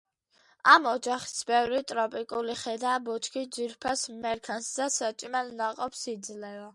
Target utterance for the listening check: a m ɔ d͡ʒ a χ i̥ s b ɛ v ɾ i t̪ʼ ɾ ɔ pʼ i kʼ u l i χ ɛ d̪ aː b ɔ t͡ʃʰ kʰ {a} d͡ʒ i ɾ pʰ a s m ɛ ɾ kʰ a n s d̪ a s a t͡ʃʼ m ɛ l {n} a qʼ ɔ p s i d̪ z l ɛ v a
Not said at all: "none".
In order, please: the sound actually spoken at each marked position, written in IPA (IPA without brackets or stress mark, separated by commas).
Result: i, n